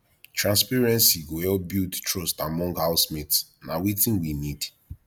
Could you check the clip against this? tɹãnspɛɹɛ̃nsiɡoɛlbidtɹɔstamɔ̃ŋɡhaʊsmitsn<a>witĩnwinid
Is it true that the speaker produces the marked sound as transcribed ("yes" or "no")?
yes